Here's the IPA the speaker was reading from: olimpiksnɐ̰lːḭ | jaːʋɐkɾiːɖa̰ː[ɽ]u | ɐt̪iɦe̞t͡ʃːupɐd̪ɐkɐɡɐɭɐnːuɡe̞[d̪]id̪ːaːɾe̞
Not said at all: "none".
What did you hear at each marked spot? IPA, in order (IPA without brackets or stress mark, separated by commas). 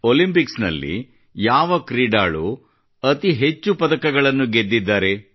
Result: ɭ, d̪ː